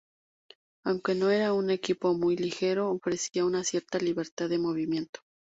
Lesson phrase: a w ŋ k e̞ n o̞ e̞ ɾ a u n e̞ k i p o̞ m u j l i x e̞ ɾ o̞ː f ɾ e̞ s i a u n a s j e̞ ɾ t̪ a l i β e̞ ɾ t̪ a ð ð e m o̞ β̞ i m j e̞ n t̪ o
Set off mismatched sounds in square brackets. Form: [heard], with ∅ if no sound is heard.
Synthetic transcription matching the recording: a w ŋ k e̞ n o̞ e̞ ɾ a u n e̞ k i p o̞ m u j l i x e̞ ɾ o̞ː f ɾ e̞ s i a u n a s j e̞ ɾ t̪ a l i β e̞ ɾ t̪ a ð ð e m o̞ β̞ i m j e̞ n t̪ o